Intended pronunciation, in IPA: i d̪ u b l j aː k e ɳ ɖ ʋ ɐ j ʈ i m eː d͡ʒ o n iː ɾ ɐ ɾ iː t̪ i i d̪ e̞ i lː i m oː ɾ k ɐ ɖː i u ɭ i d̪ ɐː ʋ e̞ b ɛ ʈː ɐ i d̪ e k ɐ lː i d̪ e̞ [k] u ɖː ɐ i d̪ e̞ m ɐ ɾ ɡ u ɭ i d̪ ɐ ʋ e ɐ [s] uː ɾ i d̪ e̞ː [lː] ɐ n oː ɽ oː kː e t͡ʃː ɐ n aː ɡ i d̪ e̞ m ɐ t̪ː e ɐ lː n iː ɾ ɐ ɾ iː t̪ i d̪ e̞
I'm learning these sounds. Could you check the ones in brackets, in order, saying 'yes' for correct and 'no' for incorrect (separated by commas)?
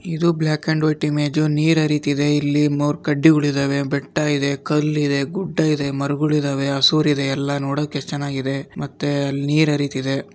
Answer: no, yes, yes